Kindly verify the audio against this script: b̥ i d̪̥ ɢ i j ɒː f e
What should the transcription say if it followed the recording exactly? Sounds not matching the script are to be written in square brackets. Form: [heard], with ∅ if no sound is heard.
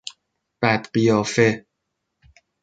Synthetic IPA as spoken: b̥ [æ] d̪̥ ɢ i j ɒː f e